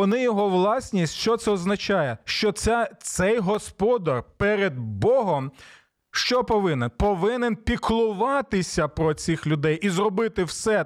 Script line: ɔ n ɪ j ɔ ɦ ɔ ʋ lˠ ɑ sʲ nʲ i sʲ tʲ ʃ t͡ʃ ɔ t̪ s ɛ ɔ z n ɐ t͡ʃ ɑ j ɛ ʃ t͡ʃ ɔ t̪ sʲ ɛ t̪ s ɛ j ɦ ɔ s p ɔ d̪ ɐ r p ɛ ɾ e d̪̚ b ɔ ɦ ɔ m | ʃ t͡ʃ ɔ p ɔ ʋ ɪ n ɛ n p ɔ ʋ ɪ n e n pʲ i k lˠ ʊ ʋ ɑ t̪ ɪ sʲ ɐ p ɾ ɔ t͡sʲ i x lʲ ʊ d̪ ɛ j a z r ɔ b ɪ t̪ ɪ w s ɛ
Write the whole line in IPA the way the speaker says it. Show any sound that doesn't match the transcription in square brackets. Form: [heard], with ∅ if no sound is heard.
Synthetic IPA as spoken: ɔ n ɪ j ɔ ɦ ɔ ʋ lˠ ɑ sʲ nʲ i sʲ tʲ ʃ t͡ʃ ɔ t̪ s ɛ ɔ z n ɐ t͡ʃ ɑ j ɛ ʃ t͡ʃ ɔ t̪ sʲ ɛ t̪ s ɛ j ɦ ɔ s p ɔ d̪ ɐ r p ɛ ɾ e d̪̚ b ɔ ɦ ɔ m | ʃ t͡ʃ ɔ p ɔ ʋ ɪ n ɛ n p ɔ ʋ ɪ n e n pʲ i k lˠ ʊ ʋ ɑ t̪ ɪ sʲ ɐ p ɾ ɔ t͡sʲ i x lʲ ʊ d̪ ɛ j [i] z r ɔ b ɪ t̪ ɪ w s ɛ